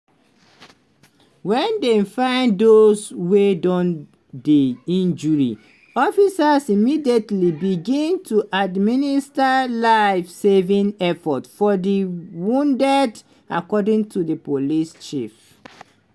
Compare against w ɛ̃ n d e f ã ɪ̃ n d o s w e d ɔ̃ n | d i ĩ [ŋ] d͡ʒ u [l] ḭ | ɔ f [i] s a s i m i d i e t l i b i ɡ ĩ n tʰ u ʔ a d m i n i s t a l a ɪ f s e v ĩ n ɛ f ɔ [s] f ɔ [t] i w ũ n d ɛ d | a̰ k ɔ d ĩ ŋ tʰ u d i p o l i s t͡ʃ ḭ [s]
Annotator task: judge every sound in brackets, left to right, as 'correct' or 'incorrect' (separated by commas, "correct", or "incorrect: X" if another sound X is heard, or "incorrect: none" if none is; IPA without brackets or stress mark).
incorrect: n, incorrect: ɹ, correct, incorrect: t, incorrect: d, incorrect: f